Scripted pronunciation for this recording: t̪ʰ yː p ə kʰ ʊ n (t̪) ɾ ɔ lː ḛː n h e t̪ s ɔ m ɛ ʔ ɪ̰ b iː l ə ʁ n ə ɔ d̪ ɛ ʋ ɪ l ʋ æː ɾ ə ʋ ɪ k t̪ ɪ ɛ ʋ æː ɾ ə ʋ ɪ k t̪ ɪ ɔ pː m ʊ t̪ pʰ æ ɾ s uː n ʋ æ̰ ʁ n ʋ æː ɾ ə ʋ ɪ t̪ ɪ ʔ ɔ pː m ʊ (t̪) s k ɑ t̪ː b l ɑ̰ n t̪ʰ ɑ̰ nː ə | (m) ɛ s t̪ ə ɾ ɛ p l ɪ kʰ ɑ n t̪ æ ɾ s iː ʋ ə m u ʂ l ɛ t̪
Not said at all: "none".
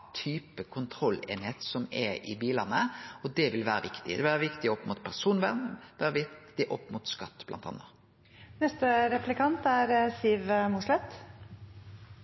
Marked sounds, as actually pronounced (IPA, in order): t̪ʰ, t̪, n

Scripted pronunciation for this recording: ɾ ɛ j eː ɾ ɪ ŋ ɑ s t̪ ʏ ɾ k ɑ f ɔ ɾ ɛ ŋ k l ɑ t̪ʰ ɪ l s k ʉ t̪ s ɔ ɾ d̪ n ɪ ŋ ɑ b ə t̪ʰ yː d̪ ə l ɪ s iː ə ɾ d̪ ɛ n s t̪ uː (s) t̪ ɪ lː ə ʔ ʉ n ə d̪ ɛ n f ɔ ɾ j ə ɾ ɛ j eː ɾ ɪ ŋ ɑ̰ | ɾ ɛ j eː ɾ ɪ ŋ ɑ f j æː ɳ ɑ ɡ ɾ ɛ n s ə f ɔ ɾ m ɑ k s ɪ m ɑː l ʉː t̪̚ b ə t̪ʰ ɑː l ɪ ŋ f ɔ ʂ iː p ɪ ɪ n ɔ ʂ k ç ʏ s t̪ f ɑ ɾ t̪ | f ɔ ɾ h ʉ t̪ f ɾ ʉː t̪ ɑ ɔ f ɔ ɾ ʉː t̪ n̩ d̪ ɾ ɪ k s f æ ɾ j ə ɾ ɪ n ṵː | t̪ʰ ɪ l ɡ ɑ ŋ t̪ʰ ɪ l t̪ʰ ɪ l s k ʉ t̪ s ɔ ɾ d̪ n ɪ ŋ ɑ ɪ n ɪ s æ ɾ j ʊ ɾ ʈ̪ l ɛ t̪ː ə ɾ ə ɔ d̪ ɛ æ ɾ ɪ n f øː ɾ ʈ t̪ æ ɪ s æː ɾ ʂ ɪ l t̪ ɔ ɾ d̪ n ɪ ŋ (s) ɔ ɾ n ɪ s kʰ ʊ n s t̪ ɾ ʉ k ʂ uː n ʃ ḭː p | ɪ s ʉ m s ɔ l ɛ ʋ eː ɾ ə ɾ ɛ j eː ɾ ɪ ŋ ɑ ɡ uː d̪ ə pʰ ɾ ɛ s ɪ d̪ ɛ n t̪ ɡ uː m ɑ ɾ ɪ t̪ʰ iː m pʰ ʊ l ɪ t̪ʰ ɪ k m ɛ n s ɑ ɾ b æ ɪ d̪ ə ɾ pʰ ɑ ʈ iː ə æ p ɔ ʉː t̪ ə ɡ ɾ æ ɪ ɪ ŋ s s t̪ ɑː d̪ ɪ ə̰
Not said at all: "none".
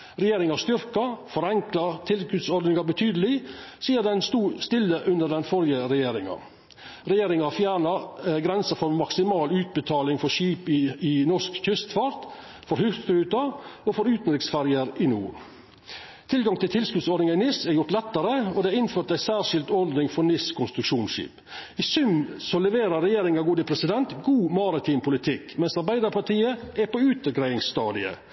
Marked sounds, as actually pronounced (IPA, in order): s, f

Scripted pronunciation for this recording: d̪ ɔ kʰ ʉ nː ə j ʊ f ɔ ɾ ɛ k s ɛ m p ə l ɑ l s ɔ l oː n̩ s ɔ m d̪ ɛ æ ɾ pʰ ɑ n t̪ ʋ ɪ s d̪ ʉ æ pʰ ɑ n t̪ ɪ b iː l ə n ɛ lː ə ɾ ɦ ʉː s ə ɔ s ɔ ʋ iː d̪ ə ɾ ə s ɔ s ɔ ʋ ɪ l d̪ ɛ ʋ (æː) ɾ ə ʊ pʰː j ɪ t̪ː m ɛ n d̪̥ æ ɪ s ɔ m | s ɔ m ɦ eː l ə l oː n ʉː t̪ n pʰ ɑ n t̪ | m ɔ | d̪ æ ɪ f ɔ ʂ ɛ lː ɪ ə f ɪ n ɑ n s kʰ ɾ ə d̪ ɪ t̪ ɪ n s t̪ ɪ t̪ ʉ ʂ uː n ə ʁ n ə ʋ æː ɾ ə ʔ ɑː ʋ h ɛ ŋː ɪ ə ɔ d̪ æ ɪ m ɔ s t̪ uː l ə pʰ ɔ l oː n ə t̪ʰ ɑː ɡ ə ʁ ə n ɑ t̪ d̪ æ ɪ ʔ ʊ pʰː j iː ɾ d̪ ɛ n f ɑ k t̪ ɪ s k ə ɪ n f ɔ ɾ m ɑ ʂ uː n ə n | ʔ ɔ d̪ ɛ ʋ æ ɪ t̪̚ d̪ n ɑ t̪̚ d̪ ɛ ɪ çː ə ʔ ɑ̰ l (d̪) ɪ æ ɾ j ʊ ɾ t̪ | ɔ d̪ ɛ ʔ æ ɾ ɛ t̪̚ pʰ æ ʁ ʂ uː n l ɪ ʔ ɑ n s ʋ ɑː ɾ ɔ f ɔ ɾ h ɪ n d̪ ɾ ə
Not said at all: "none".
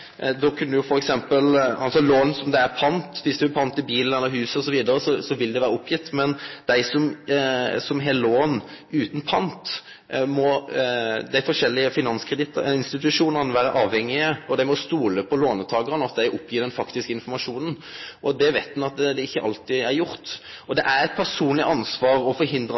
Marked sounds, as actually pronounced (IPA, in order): æː, t̪

